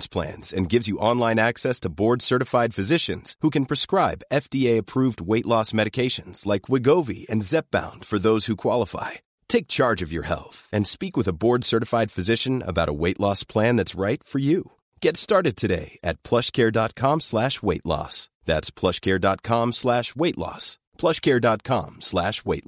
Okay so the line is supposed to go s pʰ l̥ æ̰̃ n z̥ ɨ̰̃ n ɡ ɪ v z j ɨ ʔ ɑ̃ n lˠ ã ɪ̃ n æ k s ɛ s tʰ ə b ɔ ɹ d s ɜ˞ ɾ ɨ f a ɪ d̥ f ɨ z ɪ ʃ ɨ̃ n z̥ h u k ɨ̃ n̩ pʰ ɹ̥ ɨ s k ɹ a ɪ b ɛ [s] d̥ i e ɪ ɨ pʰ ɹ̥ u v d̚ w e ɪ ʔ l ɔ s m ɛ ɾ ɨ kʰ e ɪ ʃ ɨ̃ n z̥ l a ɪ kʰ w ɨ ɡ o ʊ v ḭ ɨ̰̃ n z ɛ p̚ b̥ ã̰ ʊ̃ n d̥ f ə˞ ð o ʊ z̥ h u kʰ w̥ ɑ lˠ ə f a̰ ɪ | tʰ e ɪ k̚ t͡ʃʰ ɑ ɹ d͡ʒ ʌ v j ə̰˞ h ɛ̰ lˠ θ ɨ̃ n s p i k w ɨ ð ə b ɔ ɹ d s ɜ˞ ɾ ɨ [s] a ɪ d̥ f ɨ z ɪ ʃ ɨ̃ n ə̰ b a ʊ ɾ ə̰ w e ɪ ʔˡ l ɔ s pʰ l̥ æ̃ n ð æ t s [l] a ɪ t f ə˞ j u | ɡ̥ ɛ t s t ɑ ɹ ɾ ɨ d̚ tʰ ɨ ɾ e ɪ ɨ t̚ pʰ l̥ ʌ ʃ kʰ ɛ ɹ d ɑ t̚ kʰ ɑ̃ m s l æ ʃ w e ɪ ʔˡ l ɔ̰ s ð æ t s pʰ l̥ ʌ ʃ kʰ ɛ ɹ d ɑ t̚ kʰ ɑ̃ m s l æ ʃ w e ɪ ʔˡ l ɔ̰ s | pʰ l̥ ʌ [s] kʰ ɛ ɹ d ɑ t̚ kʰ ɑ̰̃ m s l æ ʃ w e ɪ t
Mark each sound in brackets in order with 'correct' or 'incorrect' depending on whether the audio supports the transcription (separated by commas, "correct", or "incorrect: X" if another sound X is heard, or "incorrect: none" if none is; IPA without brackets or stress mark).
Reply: incorrect: f, incorrect: f, incorrect: ɹ, incorrect: ʃ